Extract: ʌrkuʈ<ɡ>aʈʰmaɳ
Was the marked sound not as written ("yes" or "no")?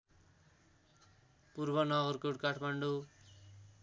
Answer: yes